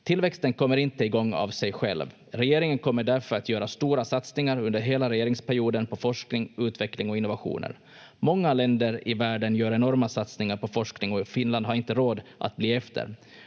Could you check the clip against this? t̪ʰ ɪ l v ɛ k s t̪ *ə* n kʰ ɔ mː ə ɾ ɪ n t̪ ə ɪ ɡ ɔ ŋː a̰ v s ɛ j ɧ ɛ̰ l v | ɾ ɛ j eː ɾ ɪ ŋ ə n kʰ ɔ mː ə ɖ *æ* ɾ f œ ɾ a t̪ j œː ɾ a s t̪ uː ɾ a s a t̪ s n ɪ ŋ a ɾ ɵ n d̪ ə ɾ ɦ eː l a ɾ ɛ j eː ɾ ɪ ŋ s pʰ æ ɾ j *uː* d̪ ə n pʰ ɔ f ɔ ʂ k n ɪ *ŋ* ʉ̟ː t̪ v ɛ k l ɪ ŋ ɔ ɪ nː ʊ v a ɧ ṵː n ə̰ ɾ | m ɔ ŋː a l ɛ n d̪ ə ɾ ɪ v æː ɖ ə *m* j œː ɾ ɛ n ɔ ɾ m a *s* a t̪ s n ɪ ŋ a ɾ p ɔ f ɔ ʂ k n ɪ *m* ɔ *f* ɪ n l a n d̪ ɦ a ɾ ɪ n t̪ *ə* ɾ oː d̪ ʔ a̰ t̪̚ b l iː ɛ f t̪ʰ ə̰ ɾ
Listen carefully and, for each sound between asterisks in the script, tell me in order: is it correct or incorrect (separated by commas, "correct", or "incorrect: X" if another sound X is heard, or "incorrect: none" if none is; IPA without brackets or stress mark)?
correct, correct, correct, correct, incorrect: n, correct, incorrect: ŋ, correct, correct